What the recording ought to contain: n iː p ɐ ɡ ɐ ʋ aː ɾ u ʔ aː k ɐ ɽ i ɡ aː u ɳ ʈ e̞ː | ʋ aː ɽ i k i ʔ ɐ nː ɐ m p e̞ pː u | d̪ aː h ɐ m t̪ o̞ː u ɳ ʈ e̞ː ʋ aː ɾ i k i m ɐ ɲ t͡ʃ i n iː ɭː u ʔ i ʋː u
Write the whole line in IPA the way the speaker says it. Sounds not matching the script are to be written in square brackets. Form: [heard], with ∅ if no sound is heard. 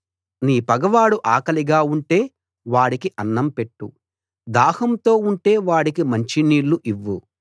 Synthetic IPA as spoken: n iː p ɐ ɡ ɐ ʋ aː [ɽ] u ʔ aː k ɐ [l] i ɡ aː u ɳ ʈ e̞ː | ʋ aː ɽ i k i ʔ ɐ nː ɐ m p e̞ [ʈː] u | d̪ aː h ɐ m t̪ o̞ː u ɳ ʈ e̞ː ʋ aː [ɽ] i k i m ɐ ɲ t͡ʃ i n iː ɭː u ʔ i ʋː u